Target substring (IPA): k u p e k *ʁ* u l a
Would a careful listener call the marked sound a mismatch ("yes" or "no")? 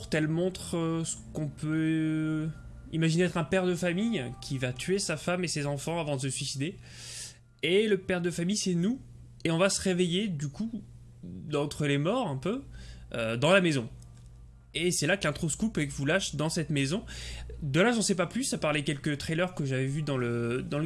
yes